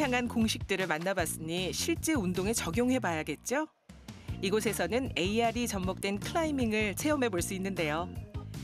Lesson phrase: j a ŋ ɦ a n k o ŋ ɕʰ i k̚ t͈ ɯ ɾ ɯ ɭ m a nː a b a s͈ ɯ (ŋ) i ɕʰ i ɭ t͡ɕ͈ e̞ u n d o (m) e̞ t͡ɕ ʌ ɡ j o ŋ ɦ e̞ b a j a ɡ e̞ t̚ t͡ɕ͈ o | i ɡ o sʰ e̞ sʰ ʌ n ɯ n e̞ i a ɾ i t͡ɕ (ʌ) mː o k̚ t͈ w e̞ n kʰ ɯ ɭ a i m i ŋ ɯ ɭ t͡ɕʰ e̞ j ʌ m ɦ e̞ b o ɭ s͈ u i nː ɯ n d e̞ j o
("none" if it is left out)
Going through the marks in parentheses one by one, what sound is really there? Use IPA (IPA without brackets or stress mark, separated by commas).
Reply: ɲ, ŋ, ʌ